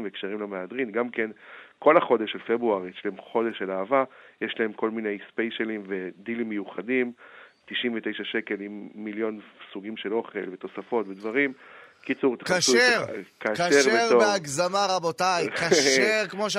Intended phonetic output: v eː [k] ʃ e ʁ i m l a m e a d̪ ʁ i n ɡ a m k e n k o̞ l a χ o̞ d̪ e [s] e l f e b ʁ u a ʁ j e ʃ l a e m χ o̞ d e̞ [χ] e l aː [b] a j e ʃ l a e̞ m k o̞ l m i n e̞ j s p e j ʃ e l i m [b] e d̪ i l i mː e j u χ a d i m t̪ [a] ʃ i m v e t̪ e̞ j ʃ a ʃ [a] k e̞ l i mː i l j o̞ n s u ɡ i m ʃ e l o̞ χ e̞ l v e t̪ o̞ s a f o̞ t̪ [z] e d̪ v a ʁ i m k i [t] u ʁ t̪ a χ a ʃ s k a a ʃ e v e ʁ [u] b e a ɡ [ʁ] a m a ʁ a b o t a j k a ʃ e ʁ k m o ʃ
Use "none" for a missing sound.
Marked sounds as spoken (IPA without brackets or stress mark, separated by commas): k, ʃ, ʃ, v, v, i, e, v, t͡s, o, z